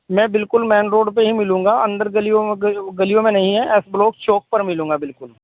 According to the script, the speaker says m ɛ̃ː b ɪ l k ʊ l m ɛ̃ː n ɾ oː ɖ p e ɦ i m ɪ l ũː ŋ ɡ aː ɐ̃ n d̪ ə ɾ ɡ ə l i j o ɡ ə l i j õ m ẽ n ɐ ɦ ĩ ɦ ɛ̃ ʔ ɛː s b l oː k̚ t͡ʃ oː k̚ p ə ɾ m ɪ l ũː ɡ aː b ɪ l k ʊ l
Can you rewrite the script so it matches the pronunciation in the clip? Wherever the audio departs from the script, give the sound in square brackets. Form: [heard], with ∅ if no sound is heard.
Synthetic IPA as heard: m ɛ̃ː b ɪ l k ʊ l m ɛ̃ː n ɾ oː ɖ p e ɦ i m ɪ l ũː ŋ ɡ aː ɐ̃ n d̪ ə ɾ ɡ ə l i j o ɡ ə l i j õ m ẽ n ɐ ɦ ĩ ɦ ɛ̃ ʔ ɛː s b l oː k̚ t͡ʃ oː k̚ p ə ɾ m ɪ l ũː ɡ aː b ɪ l k ʊ l